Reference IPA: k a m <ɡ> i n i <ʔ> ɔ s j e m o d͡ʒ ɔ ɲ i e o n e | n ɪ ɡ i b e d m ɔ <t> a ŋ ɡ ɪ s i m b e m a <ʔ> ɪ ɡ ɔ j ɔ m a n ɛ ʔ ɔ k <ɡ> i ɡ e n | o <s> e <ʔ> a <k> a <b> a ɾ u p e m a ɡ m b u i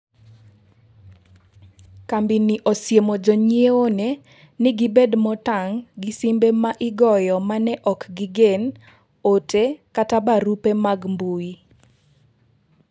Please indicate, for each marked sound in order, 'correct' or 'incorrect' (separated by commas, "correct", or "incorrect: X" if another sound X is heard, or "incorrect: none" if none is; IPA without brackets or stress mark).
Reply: incorrect: b, correct, correct, correct, correct, incorrect: t, incorrect: k, incorrect: t, correct